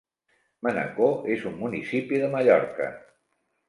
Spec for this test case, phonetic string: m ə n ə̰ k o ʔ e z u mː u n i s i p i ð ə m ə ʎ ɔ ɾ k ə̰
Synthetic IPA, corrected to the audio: m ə n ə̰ k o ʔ e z u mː u n i s i p i ð ə m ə ʎ ɔ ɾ k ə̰

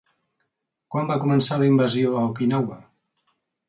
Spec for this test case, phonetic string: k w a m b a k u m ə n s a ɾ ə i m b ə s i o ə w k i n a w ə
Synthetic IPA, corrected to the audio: k w a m b a k u m ə n s a l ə i m b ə z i o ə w k i n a w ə

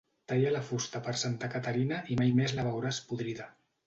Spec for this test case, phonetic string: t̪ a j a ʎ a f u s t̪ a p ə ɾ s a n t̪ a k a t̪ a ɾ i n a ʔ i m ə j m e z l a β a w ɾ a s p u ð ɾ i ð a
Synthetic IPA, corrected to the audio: t̪ a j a l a f u s t̪ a p ə ɾ s a n t̪ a k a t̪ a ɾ i n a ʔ i m a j m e z l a β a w ɾ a s p u ð ɾ i ð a

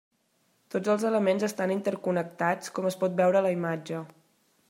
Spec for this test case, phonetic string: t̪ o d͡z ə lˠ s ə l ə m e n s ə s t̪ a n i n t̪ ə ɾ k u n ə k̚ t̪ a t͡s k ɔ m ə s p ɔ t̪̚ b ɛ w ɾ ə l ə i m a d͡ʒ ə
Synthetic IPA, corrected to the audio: t̪ o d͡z ə lˠ z ə l ə m e n z ə s t̪ a n i n t̪ ə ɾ k u n ə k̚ t̪ a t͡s k ɔ m ə s p ɔ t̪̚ b ɛ w ɾ ə l ə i m a d͡ʒ ə

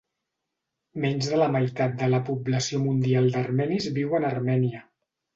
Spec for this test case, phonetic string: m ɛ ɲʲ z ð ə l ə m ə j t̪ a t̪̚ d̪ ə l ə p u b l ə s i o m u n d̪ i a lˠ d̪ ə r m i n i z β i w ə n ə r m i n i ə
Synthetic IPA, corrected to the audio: m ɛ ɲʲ z ð ə l ə m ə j t̪ a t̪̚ d̪ ə l ə p u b l ə s i o m u n d̪ i a lˠ d̪ ə r m ɛ n i z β i w ə n ə r m ɛ n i ə

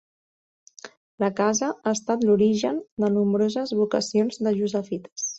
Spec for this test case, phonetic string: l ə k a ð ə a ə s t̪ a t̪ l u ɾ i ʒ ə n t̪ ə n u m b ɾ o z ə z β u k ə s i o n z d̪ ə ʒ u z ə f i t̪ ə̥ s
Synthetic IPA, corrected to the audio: l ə k a z ə a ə s t̪ a t̪ l u ɾ i ʒ ə n d̪ ə n u m b ɾ o z ə z β u k ə s i o n z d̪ ə ʒ u z ə f i t̪ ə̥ s

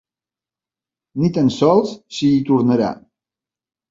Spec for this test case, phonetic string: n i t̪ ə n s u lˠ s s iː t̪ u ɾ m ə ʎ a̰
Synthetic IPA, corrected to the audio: n i t̪ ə n s ɔ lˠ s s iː t̪ u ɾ n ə ɾ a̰

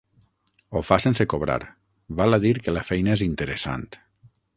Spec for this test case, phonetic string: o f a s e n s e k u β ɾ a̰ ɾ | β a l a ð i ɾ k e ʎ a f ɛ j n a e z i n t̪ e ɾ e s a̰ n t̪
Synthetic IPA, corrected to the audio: o f a s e n s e k o β ɾ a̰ ɾ | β a l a ð i ɾ k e l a f ɛ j n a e z i n t̪ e ɾ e s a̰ n t̪

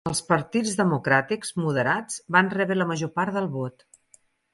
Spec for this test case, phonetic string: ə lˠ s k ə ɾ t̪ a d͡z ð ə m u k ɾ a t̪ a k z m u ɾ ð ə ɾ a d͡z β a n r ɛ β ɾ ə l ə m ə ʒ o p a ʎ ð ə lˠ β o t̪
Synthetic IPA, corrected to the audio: ə lˠ s p ə ɾ t̪ i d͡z ð ə m u k ɾ a t̪ i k z m u ð ə ɾ a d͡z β a n r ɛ β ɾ ə l ə m ə ʒ o p a ɾ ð ə lˠ β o t̪

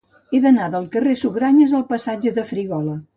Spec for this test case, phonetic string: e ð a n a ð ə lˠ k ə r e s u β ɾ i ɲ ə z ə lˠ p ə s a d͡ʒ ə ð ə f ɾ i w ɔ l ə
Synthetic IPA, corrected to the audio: e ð ə n a ð ə lˠ k ə r e s u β ɾ a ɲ ə z ə lˠ p ə s a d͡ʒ ə ð ə f ɾ i ɣ ɔ l ə

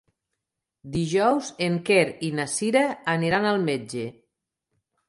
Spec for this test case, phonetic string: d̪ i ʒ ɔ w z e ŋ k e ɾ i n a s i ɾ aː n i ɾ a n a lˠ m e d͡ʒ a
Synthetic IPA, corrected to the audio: d̪ i ʒ ɔ w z e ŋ k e ɾ i n a s i ɾ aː n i ɾ a n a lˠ m e d͡ʒ e

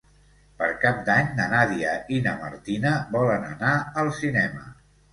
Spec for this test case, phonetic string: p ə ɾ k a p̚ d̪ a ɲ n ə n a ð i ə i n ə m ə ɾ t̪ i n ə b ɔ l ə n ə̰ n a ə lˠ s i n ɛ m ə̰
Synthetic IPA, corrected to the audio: p ə ɾ k a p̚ d̪ a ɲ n ə n a ð i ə i n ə m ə ɾ t̪ i n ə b ɔ l ə n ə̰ n a ə lˠ s i n ɛ m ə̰

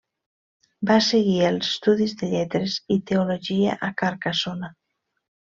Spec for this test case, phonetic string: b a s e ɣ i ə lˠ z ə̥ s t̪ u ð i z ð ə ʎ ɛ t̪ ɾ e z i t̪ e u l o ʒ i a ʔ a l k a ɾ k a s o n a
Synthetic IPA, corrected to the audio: b a s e ɣ i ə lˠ z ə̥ s t̪ u ð i z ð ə ʎ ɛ t̪ ɾ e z i t̪ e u l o ʒ i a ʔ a k a ɾ k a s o n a

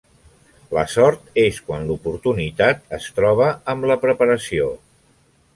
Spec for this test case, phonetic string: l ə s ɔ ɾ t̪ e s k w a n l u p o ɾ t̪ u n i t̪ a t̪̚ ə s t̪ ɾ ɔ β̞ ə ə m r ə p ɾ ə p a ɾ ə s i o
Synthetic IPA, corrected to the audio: l ə s ɔ ɾ t̪ e s k w a n l u p u ɾ t̪ u n i t̪ a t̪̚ ə s t̪ ɾ ɔ β̞ ə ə m l ə p ɾ ə p ə ɾ ə s i o

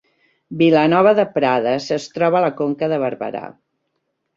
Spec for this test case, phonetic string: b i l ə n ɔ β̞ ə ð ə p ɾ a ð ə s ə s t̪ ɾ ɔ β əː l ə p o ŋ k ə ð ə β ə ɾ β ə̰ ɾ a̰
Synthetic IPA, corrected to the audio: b i l ə n ɔ β̞ ə ð ə p ɾ a ð ə s ə s t̪ ɾ ɔ β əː l ə k o ŋ k ə ð ə β ə ɾ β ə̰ ɾ a̰

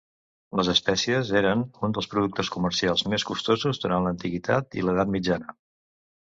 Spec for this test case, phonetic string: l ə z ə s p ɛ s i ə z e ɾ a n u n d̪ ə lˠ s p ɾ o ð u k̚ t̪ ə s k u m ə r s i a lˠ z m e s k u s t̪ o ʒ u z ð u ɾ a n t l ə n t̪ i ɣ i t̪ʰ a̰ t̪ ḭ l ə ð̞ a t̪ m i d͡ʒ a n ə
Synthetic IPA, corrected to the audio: l ə z ə s p ɛ s i ə z e ɾ ə n u n d̪ ə lˠ s p ɾ u ð u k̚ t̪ ə s k u m ə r s i a lˠ z m e s k u s t̪ o z u z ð u ɾ a n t l ə n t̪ i ɣ i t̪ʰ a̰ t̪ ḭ l ə ð̞ a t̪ m i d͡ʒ a n ə

